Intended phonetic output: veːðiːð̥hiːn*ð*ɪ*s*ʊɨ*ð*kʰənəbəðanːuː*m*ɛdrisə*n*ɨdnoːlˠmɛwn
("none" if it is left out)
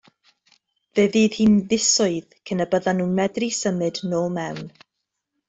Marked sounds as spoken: ð, s, ð, m, m

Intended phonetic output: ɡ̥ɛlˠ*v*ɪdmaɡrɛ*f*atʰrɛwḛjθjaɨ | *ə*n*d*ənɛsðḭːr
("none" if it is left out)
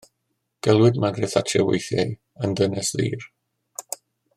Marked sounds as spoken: w, θ, ə, d

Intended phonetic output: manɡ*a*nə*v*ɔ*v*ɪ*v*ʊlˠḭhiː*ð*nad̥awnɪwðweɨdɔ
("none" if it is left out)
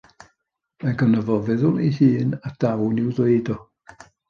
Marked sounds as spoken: ə, v, v, ð, none

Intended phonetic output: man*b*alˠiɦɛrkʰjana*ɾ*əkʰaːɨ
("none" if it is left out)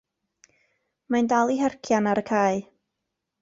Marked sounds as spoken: d, ɾ

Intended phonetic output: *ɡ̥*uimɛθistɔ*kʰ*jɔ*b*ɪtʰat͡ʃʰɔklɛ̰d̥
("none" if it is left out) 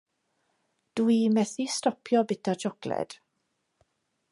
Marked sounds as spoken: d̥, pʰ, b

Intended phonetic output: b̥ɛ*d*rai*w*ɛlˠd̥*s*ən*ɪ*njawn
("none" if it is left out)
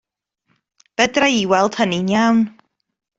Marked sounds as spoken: d, w, h, i

